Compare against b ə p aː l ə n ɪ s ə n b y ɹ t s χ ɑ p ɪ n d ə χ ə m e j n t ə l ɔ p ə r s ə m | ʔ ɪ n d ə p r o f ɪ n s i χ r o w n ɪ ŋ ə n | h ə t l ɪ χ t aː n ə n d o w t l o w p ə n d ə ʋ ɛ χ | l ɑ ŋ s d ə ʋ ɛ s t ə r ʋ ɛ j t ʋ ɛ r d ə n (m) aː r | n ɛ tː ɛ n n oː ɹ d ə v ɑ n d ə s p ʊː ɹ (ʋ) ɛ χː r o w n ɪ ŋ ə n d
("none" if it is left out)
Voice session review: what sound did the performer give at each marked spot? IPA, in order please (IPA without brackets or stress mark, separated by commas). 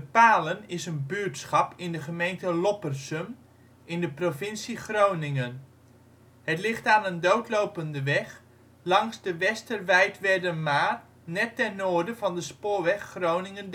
m, ʋ